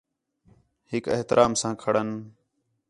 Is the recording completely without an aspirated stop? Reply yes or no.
no